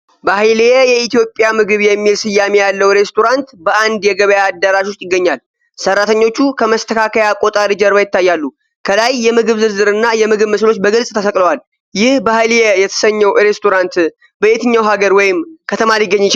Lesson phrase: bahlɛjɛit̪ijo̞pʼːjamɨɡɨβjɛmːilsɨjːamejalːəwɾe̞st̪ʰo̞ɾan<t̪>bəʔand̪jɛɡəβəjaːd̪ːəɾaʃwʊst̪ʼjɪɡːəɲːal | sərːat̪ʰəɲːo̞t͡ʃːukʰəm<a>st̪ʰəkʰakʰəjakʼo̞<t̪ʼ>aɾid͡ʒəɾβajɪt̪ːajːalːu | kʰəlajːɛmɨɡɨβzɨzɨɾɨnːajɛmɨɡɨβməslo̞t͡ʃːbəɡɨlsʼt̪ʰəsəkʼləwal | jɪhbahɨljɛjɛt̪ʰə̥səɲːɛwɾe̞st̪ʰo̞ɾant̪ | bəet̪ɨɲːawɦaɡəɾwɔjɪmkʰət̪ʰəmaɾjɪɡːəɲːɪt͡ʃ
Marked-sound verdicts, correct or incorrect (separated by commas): correct, incorrect, correct